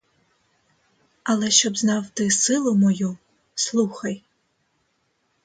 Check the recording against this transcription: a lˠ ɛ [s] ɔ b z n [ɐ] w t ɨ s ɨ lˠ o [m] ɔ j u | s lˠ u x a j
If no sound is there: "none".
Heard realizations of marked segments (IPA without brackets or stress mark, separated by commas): ʃ, a, m